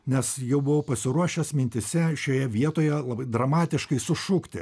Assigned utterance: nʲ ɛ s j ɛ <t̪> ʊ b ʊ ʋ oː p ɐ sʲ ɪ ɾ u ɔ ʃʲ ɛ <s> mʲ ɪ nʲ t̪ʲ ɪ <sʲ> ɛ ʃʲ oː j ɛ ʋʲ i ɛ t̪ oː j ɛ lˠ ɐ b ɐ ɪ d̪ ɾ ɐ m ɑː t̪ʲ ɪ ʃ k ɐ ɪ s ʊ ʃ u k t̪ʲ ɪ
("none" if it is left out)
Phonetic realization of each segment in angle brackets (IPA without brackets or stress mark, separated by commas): none, s, sʲ